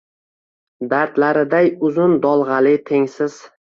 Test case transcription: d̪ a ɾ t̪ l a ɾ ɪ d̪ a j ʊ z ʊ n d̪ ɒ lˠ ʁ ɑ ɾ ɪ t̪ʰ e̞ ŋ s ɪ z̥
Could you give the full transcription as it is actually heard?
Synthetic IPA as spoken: d̪ a ɾ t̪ l a ɾ ɪ d̪ a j ʊ z ʊ n d̪ ɒ lˠ ʁ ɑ l ɪ t̪ʰ e̞ ŋ s ɪ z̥